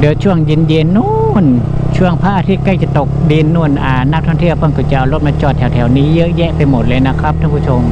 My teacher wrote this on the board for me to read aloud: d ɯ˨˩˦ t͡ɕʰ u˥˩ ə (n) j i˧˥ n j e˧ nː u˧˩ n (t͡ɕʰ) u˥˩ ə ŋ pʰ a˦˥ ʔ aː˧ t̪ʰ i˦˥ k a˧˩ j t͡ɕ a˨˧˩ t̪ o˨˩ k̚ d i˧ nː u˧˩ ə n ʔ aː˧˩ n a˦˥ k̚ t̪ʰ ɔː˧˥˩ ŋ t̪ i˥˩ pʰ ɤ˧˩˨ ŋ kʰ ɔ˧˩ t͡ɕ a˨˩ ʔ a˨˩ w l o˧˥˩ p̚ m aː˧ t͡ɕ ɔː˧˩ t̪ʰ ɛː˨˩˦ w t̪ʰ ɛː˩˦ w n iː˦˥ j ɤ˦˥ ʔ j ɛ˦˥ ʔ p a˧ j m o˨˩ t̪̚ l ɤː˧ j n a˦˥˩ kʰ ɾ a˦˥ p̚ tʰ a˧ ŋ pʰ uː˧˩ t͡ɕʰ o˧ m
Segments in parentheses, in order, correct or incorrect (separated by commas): incorrect, correct